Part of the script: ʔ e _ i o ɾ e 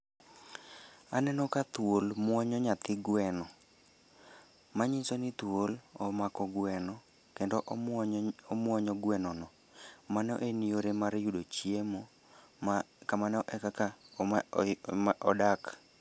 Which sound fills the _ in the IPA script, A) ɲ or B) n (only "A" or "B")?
B